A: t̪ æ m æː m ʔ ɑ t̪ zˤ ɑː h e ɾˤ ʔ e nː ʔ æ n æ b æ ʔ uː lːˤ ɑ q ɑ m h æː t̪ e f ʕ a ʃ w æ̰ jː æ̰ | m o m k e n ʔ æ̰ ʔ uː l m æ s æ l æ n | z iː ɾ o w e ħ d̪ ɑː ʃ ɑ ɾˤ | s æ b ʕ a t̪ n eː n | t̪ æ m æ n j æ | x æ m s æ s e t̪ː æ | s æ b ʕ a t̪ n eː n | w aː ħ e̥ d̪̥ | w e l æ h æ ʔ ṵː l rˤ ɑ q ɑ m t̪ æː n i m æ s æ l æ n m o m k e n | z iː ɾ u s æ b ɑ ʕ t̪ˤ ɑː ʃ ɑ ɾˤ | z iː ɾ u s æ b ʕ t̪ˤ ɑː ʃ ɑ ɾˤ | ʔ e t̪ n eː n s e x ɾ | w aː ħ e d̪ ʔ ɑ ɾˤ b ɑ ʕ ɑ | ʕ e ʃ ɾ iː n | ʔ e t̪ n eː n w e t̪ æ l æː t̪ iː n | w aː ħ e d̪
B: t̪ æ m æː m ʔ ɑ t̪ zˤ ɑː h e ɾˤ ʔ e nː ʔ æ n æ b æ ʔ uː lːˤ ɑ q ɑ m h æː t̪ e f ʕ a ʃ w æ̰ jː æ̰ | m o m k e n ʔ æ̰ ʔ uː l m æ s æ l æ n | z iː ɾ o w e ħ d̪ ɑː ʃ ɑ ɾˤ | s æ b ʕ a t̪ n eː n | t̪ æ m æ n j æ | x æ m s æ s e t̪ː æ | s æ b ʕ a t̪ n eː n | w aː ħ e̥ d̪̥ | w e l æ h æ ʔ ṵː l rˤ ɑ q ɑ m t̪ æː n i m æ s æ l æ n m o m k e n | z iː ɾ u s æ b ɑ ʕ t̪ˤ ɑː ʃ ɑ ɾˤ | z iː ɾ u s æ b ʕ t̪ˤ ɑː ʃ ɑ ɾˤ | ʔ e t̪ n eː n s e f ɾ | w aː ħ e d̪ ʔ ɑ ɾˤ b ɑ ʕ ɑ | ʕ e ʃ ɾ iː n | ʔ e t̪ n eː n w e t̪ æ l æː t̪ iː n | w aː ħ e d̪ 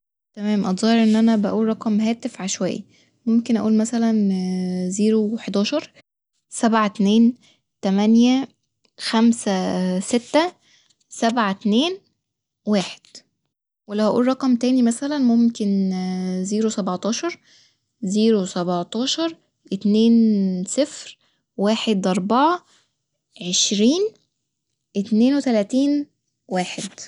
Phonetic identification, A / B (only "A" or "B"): B